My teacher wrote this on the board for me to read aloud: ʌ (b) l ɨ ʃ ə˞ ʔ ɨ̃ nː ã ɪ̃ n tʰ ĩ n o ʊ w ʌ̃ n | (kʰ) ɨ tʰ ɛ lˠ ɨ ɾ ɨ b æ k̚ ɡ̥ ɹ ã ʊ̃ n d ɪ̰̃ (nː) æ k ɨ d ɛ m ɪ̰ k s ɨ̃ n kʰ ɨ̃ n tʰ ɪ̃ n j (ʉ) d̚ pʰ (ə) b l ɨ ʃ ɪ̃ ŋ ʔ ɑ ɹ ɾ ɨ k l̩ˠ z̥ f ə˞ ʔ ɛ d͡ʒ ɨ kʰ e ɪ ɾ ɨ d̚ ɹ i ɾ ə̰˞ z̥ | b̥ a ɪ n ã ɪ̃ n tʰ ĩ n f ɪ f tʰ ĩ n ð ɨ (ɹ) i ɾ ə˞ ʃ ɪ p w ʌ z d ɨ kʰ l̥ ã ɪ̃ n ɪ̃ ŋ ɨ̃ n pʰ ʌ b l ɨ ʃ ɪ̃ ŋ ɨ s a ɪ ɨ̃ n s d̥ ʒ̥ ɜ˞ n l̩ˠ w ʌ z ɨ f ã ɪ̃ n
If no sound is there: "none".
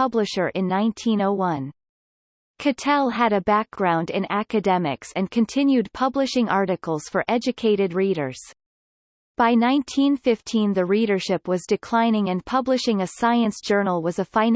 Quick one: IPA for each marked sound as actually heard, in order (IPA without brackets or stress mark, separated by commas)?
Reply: b, kʰ, n, ʉ, ʌ, ɹ